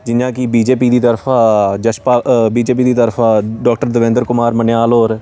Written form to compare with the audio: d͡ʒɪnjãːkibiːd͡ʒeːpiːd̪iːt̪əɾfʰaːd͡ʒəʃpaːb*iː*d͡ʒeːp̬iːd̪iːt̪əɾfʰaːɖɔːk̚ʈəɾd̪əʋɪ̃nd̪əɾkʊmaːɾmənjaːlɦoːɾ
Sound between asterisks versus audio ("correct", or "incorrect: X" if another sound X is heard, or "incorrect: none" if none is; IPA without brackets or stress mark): correct